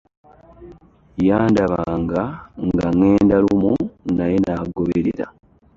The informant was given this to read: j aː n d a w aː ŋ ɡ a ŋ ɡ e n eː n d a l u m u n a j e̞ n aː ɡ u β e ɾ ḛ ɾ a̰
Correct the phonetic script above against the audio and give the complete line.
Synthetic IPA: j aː n d a β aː ŋ ɡ a ŋ ɡ a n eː n d a l u m u n a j e̞ n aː ɡ o β e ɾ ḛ ɾ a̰